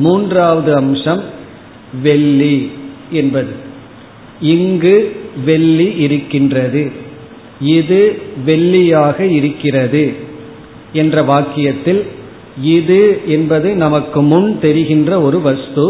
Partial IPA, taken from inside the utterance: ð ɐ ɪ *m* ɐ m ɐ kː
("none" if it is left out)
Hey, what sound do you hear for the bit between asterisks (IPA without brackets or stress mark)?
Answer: n